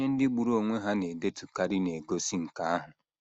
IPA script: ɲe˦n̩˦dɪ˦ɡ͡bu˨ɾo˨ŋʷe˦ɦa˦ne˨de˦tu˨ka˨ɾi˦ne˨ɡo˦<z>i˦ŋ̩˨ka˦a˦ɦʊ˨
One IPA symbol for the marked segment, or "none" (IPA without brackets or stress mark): s